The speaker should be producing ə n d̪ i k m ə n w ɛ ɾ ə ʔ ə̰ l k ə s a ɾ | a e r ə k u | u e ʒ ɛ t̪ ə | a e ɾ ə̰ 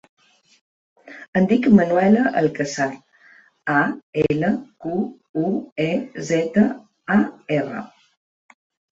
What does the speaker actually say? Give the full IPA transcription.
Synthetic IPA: ə n d̪ i k m ə n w ɛ l ə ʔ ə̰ l k ə s a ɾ | a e l ə k u | u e z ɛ t̪ ə | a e r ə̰